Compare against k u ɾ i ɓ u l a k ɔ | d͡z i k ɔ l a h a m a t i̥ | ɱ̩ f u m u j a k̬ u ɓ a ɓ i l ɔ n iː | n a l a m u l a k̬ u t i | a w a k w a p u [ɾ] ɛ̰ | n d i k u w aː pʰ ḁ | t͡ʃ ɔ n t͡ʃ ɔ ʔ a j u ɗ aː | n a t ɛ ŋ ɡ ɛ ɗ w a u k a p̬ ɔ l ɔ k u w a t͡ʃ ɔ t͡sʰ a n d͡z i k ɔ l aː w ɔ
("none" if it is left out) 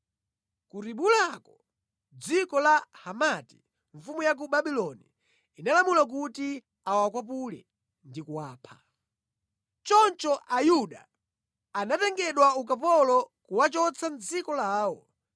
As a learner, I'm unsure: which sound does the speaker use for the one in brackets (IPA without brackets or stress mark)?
l